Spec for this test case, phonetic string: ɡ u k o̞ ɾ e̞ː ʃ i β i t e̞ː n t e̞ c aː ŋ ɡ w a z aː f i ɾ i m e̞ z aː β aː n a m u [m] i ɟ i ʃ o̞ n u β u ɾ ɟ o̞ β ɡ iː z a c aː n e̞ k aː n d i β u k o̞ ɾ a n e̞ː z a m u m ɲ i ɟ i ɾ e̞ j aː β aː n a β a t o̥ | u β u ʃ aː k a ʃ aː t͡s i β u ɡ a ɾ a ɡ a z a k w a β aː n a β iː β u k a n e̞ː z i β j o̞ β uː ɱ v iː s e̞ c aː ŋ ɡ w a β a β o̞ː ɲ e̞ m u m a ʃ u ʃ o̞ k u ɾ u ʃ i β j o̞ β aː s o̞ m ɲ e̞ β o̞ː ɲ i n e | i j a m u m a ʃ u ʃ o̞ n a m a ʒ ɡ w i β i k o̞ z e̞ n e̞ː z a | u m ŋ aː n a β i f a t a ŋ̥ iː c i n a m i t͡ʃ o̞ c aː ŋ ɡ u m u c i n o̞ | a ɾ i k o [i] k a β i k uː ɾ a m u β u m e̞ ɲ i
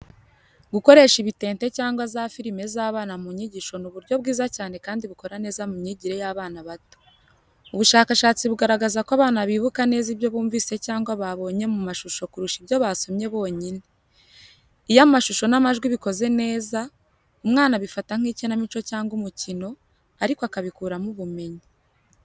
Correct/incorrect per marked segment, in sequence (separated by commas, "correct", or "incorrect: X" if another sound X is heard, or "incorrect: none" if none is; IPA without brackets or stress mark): incorrect: ɲ, incorrect: a